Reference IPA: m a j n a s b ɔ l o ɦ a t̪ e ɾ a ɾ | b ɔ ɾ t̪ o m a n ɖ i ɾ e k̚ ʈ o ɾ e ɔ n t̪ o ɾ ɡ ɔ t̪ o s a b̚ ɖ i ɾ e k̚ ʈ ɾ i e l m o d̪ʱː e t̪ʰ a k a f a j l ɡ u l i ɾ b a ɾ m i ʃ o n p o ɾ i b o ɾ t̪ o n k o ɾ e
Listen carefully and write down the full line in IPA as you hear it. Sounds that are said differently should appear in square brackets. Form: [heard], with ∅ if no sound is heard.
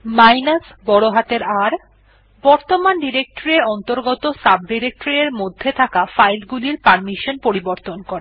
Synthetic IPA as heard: m a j n a s b ɔ [ɽ] o ɦ a t̪ e ɾ a ɾ | b ɔ ɾ t̪ o m a n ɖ i ɾ e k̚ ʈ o ɾ e ɔ n t̪ o ɾ ɡ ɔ t̪ o s a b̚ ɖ i ɾ e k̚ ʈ ɾ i e [ɾ] m o d̪ʱː e t̪ʰ a k a f a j l ɡ u l i ɾ [p] a ɾ m i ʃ o n p o ɾ i b o ɾ t̪ o n k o ɾ e